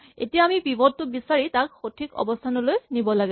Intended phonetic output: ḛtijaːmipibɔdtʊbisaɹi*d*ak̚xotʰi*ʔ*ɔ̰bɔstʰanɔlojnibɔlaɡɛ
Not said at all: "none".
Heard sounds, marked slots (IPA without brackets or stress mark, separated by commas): t, k